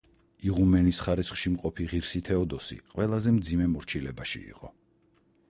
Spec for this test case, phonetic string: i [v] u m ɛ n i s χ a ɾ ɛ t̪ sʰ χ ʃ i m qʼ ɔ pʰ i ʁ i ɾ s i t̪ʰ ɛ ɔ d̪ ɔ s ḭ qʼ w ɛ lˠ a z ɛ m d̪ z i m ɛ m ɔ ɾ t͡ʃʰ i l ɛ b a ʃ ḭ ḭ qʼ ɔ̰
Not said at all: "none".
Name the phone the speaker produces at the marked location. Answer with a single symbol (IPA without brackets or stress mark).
ʁ